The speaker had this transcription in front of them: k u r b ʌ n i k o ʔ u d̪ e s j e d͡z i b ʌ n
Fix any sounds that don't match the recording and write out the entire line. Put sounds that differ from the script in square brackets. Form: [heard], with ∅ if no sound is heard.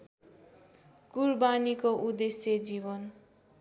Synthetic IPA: k u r b [a] n i k o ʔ u d̪ e s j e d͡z i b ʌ n